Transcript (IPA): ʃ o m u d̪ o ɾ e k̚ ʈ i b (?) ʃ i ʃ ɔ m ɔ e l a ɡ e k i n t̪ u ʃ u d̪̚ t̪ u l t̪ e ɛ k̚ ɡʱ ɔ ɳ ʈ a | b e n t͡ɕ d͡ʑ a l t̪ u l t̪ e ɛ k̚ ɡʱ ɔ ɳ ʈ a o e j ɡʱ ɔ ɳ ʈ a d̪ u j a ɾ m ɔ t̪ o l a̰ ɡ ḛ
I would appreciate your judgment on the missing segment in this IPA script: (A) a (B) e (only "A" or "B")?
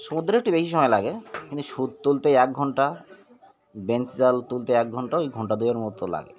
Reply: B